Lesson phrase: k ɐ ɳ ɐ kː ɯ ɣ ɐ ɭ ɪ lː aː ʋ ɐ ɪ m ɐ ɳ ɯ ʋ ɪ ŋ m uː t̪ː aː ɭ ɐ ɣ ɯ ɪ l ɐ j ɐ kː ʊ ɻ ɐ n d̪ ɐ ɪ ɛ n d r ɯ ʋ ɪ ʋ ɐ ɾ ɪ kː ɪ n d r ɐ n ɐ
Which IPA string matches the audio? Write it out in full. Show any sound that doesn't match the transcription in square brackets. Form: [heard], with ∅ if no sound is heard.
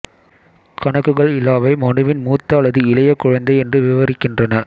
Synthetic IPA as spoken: k ɐ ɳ ɐ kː ɯ ɣ ɐ ɭ ɪ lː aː ʋ ɐ ɪ m ɐ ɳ ɯ ʋ ɪ [n] m uː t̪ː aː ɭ ɐ [ð] ɯ ɪ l ɐ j ɐ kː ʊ ɻ ɐ n d̪ ɐ ɪ ɛ n d r ɯ ʋ ɪ ʋ ɐ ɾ ɪ kː ɪ n d r ɐ n ɐ